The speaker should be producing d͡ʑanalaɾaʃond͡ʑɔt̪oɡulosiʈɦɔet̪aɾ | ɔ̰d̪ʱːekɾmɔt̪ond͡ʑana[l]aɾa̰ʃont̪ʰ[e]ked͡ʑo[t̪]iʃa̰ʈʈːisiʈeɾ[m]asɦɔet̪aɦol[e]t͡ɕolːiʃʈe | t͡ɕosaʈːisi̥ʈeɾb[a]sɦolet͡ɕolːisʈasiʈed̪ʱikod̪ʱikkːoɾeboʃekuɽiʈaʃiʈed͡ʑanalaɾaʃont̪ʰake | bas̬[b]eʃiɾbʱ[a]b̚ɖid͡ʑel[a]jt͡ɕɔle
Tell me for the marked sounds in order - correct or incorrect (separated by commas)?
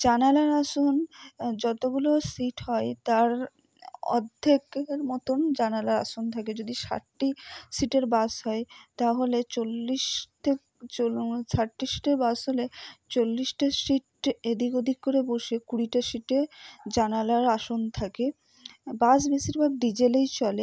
correct, incorrect, incorrect, incorrect, correct, correct, correct, correct, incorrect